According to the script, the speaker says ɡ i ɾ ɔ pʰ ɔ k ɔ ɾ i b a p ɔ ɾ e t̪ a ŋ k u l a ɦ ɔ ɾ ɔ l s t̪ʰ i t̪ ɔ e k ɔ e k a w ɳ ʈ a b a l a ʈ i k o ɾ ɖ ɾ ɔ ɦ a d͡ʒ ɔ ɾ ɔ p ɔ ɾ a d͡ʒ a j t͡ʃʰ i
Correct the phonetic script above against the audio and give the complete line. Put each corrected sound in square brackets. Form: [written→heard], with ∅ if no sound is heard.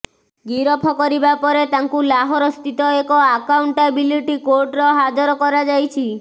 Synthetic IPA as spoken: ɡ i ɾ ɔ pʰ ɔ k ɔ ɾ i b a p ɔ ɾ e t̪ a ŋ k u l a ɦ ɔ ɾ ɔ [l→∅] s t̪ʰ i t̪ ɔ e k ɔ [e→a] k a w ɳ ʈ a b [a→i] l [a→i] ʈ i k o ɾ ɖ ɾ ɔ ɦ a d͡ʒ ɔ ɾ ɔ [p→k] ɔ ɾ a d͡ʒ a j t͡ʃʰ i